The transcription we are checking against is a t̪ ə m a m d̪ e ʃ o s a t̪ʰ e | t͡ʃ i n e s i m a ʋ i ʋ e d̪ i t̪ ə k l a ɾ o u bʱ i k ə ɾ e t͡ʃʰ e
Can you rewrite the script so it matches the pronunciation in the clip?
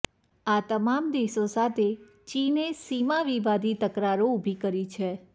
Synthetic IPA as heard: a t̪ ə m a m d̪ e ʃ o s a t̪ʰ e | t͡ʃ i n e s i m a ʋ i ʋ a d̪ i t̪ ə k ɾ a ɾ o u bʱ i k ə ɾ i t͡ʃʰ e